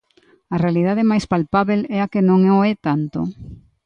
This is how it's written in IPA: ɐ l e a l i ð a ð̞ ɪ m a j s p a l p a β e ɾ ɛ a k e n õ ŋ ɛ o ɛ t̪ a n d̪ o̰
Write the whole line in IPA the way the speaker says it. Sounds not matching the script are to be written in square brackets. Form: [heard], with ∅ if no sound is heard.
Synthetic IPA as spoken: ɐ [r] e a l i ð a ð̞ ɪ m a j s p a l p a β e [l] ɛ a k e n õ ŋ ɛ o ɛ t̪ a n [t̪] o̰